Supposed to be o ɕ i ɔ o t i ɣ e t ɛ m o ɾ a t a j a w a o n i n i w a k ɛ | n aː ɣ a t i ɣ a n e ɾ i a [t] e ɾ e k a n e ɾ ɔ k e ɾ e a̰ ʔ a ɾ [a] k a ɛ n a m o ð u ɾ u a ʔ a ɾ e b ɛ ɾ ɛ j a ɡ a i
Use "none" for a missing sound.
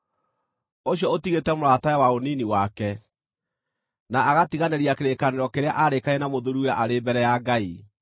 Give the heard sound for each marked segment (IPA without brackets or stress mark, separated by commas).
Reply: k, e